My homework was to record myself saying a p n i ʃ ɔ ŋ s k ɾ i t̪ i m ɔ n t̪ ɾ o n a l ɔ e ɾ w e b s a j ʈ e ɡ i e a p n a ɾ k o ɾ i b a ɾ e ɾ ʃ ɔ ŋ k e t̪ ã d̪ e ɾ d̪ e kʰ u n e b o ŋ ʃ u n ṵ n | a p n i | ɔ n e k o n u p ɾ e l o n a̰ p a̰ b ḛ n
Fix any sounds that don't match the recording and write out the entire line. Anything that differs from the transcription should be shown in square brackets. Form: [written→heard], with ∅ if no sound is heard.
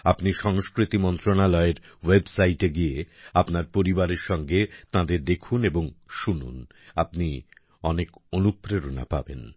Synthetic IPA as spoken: a p n i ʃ ɔ ŋ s k ɾ i t̪ i m ɔ n t̪ ɾ o n a l ɔ e ɾ w e b s a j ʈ e ɡ i e a p n a ɾ [k→p] o ɾ i b a ɾ e ɾ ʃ ɔ ŋ [k→ɡ] e t̪ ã d̪ e ɾ d̪ e kʰ u n e b o ŋ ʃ u n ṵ n | a p n i | ɔ n e k o n u p ɾ e [l→ɾ] o n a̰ p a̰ b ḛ n